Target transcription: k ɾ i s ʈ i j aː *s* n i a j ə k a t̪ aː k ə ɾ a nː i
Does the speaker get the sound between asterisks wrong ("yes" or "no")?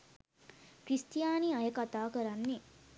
yes